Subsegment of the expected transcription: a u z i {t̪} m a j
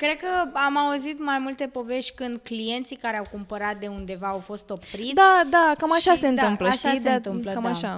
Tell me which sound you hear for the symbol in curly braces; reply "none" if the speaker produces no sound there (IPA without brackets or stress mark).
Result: t̪